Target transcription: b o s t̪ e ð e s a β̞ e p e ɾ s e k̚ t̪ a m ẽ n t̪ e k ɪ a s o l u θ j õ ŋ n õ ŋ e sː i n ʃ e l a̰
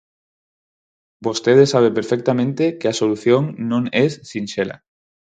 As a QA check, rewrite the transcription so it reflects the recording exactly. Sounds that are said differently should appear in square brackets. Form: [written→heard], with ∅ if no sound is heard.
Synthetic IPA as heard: b o s t̪ e ð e s a β̞ e p e ɾ [s→f] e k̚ t̪ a m ẽ n t̪ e k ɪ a s o l u θ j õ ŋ n õ ŋ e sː i n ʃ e l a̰